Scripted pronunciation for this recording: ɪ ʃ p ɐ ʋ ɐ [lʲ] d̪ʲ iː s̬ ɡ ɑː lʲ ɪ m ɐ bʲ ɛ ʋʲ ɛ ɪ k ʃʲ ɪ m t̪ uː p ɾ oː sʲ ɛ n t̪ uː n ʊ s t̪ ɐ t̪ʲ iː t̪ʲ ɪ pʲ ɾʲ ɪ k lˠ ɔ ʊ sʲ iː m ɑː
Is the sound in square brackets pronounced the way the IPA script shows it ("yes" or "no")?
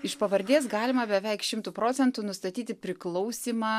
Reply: no